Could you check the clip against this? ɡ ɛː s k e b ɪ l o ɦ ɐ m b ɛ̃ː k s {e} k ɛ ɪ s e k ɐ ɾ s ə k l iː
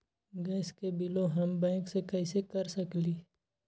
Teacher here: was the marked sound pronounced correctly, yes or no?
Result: yes